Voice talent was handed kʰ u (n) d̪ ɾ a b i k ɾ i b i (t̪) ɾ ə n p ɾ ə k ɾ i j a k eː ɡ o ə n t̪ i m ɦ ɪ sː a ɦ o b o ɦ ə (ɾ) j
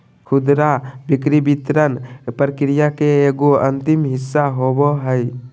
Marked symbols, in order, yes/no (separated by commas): no, yes, no